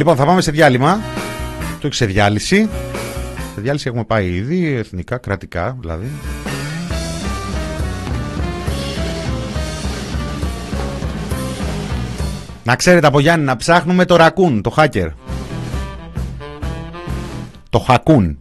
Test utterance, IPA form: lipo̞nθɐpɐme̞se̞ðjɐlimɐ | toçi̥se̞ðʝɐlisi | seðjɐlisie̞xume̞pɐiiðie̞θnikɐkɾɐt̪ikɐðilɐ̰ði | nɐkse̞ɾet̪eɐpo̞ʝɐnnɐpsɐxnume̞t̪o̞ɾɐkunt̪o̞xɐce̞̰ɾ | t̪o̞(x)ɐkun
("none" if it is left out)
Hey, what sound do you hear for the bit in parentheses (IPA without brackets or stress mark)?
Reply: x